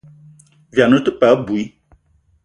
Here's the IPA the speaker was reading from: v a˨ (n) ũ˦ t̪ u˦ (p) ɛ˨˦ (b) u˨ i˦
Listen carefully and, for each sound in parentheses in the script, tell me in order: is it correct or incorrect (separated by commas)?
correct, correct, correct